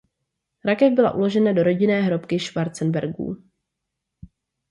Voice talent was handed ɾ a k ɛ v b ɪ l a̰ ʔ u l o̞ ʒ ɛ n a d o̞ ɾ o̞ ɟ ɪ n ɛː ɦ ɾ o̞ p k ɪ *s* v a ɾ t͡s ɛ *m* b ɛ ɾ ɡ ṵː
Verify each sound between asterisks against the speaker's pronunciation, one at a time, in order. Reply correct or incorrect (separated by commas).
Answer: incorrect, incorrect